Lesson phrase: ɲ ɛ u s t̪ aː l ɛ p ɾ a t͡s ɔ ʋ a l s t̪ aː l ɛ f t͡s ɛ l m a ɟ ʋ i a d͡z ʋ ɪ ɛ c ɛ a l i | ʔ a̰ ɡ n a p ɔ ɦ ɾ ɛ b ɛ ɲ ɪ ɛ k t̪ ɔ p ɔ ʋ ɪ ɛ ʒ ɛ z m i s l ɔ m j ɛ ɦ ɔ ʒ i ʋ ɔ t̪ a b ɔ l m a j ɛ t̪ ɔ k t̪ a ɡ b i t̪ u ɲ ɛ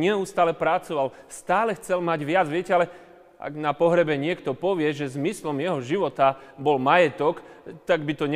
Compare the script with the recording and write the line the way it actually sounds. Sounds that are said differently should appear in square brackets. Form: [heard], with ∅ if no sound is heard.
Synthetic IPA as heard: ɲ ɛ u s t̪ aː l ɛ p ɾ a t͡s ɔ ʋ a l s t̪ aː l ɛ [x] t͡s ɛ l m a ɟ ʋ [ɪ] a d͡z ʋ ɪ ɛ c ɛ a l [ɛ] | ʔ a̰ ɡ n a p ɔ ɦ ɾ ɛ b ɛ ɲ ɪ ɛ k t̪ ɔ p ɔ ʋ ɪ ɛ ʒ ɛ z m i s l ɔ m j ɛ ɦ ɔ ʒ i ʋ ɔ t̪ a b ɔ l m a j ɛ t̪ ɔ k t̪ a ɡ b i t̪ [ɔ] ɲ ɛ